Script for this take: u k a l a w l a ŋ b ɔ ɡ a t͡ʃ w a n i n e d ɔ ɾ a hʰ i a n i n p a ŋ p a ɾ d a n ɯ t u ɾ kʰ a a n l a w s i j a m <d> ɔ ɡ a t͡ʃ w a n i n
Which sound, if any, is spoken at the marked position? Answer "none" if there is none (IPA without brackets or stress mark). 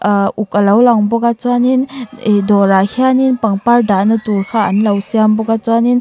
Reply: b